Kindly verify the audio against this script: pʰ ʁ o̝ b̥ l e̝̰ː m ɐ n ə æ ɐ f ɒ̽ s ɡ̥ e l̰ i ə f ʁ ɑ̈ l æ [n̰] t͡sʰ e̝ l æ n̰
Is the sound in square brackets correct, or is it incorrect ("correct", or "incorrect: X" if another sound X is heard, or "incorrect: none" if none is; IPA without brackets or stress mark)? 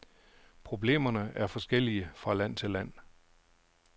correct